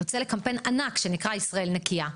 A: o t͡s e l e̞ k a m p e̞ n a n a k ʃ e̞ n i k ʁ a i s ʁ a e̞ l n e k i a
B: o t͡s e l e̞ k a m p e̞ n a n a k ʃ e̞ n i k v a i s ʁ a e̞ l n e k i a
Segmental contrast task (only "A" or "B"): A